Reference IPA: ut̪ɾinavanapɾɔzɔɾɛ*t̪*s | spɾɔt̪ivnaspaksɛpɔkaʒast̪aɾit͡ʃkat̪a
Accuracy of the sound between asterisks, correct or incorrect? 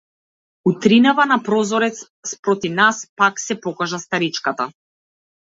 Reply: correct